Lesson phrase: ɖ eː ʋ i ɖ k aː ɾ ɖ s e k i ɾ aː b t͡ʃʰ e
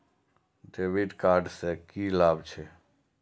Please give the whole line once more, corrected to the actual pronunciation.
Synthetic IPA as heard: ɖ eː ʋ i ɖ k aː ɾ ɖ s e k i l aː b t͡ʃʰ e

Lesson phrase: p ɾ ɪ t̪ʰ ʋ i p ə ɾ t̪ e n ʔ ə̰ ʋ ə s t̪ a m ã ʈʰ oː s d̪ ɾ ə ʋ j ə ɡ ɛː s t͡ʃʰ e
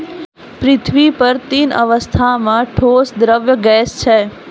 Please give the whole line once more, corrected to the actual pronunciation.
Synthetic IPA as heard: p ɾ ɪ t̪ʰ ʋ i p ə ɾ t̪ i n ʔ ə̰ ʋ ə s t̪ʰ a m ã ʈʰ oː s d̪ ɾ ə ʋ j ə ɡ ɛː s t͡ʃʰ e

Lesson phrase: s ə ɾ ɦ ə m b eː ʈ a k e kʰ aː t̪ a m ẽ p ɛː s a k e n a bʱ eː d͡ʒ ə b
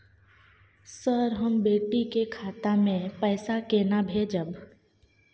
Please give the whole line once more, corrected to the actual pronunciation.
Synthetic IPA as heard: s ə ɾ ɦ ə m b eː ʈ i k e kʰ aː t̪ a m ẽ p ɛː s a k e n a bʱ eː d͡ʒ ə b

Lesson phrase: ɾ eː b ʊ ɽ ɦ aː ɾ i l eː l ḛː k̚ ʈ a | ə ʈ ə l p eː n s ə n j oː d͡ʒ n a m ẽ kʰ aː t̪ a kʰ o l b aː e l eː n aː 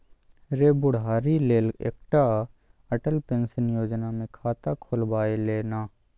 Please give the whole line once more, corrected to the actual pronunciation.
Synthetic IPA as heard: ɾ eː b ʊ ɽ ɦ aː ɾ i l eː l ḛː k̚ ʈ a | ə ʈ ə l p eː n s ə n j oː d͡ʒ n a m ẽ kʰ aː t̪ a kʰ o l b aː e l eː n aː

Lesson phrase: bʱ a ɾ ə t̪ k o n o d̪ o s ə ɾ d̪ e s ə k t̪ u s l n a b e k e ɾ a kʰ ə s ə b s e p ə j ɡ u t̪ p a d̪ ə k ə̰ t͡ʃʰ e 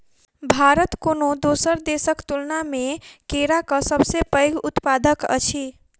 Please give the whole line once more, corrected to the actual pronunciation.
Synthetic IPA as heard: bʱ a ɾ ə t̪ k o n o d̪ o s ə ɾ d̪ e s ə k t̪ u l n a m e k e ɾ a k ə s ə b s e p ə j ɡ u t̪ p a d̪ ə k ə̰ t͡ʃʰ i

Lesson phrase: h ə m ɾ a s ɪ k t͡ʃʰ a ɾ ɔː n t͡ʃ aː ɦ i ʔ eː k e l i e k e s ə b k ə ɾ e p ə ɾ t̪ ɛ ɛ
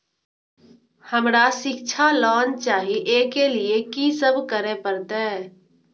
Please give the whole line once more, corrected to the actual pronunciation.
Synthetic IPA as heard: h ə m ɾ a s ɪ k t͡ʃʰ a l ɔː n t͡ʃ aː ɦ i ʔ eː k e l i e k i s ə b k ə ɾ e p ə ɾ t̪ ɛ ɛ

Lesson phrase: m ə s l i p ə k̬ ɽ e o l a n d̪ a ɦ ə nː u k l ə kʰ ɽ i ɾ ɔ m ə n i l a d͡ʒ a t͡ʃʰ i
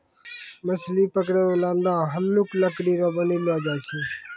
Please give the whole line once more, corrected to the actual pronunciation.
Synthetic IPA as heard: m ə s l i p ə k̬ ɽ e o l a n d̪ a ɦ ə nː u k l ə k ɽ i ɾ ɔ b ə n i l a d͡ʒ a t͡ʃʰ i

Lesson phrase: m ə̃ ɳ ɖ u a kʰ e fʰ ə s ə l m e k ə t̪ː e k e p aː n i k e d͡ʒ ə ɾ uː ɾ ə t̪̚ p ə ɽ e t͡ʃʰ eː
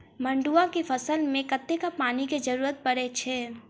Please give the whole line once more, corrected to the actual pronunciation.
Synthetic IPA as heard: m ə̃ ɳ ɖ u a k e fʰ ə s ə l m ẽ k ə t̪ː e k a p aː n i k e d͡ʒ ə ɾ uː ɾ ə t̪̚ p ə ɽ e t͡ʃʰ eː

